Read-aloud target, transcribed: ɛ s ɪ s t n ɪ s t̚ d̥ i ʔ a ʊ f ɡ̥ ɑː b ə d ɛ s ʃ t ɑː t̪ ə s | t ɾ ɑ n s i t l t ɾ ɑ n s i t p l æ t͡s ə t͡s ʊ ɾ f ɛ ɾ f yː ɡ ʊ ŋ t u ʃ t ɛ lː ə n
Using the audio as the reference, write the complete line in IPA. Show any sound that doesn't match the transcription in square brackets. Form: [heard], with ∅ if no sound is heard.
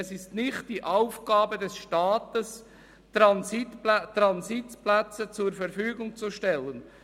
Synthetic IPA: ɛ s ɪ s t n ɪ [χ] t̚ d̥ i ʔ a ʊ f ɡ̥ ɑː b ə d ɛ s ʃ t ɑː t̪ ə s | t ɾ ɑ n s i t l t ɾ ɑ n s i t p l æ t͡s ə t͡s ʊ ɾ f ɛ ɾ f yː ɡ ʊ ŋ [t͡s] u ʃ t ɛ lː ə n